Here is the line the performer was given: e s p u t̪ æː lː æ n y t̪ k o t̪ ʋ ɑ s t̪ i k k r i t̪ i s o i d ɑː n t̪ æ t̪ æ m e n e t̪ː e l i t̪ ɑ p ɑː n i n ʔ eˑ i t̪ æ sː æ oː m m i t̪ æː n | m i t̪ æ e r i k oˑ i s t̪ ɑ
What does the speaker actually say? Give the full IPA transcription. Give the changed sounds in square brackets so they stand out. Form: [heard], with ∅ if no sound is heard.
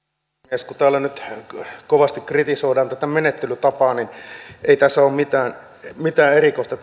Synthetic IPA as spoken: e s [k] u t̪ æː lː æ n y t̪ k o [∅] ʋ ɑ s t̪ i k k r i t̪ i s o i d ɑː n t̪ æ t̪ æ m e n e t̪ː e l [y] t̪ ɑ p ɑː n i n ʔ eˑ i t̪ æ sː æ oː m m i t̪ æː n | m i t̪ [æː] e r i k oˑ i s t̪ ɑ